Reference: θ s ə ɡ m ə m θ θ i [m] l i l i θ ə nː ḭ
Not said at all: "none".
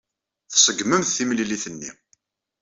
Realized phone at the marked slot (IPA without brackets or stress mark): m